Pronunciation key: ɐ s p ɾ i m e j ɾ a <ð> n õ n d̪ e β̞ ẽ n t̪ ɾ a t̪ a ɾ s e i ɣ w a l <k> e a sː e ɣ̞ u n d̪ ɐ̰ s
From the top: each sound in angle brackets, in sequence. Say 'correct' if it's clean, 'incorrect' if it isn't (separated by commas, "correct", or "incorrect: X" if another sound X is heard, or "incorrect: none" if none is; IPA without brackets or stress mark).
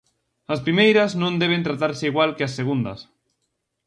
incorrect: z, correct